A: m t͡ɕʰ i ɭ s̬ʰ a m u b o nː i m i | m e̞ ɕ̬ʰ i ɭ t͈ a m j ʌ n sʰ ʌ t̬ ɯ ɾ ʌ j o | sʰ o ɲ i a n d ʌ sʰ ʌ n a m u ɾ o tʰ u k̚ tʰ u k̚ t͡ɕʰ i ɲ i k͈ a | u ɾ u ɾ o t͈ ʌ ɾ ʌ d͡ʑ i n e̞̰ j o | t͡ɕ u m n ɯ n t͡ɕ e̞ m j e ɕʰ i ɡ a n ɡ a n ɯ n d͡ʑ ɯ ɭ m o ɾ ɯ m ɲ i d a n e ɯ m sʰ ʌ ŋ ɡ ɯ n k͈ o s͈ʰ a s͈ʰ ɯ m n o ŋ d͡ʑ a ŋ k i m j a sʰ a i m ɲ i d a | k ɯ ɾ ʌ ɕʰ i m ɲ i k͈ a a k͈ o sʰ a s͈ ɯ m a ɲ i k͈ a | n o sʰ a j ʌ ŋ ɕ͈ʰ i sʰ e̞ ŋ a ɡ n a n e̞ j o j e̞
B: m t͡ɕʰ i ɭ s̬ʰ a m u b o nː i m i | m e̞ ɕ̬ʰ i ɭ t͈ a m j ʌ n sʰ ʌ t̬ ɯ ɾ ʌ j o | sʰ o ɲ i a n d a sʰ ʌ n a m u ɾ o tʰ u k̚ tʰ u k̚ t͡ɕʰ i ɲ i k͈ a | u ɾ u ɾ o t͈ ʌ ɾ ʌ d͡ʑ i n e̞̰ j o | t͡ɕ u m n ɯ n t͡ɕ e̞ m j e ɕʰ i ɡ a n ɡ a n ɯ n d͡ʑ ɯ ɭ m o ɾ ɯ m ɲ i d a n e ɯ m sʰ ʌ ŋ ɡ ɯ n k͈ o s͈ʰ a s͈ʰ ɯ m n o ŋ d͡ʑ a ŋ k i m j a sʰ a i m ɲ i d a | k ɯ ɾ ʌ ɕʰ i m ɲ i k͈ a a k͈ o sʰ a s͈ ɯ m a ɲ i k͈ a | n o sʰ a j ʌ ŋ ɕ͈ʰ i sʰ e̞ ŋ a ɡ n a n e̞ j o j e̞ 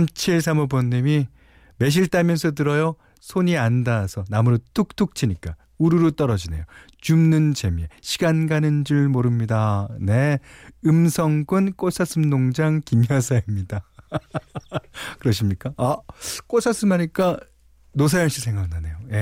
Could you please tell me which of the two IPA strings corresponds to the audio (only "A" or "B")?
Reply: B